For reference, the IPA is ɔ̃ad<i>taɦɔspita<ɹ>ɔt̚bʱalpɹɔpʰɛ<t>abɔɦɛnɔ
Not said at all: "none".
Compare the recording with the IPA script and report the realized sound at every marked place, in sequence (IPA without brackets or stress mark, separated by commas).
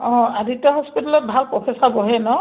i, l, s